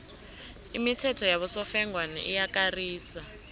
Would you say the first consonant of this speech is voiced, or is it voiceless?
voiced